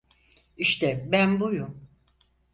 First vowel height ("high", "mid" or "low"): high